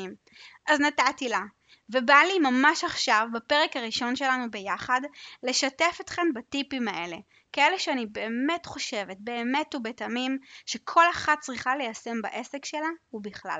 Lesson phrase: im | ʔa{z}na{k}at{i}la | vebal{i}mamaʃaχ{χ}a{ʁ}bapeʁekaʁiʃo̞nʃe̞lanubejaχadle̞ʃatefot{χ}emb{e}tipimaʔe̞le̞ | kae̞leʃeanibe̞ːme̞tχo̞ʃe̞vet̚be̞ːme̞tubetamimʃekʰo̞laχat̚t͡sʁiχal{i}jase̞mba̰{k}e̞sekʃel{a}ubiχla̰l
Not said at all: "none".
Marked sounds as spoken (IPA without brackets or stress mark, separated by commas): z, t, i, i, ʃ, v, χ, a, e, ʔ, a